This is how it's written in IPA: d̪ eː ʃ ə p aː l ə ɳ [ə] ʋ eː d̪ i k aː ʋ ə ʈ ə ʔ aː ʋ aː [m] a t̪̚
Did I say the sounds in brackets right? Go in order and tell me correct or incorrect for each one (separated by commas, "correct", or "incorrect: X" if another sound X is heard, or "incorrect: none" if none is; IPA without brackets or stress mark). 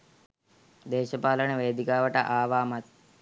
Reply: correct, correct